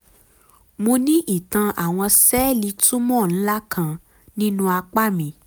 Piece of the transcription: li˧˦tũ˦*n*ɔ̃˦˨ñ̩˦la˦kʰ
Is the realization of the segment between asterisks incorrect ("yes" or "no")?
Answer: yes